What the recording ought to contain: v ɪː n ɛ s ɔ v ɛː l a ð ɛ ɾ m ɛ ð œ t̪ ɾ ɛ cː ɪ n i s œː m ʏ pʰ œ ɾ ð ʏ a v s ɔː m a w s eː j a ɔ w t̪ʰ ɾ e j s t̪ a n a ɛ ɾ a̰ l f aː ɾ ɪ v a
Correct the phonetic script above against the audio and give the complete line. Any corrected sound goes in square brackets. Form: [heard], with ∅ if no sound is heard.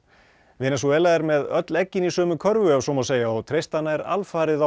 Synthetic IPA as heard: v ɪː n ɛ s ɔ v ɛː l a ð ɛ ɾ m ɛ ð œ t̪ [l] ɛ cː ɪ n i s œː m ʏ [kʰ] œ ɾ [v] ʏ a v s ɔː m a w s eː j a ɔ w t̪ʰ ɾ e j s t̪ a n a ɛ ɾ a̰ l f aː ɾ ɪ [ð] a